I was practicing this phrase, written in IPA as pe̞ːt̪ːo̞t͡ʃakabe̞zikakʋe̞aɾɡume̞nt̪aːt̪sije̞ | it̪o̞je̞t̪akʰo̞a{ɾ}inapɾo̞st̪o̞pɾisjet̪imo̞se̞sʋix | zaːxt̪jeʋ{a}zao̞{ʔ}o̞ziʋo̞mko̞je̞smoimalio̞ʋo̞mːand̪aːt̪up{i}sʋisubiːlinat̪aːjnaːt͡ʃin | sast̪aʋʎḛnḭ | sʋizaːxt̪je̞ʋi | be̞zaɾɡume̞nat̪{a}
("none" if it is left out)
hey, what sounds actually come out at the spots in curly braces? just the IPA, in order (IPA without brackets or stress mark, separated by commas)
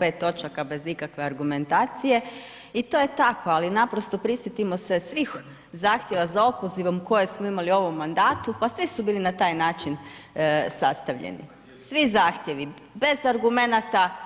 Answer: l, a, p, a, a